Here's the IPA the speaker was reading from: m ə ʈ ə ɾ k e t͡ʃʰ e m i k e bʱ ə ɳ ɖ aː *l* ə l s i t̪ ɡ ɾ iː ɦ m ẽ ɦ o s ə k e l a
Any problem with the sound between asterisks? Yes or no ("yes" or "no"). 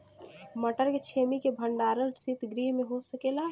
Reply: yes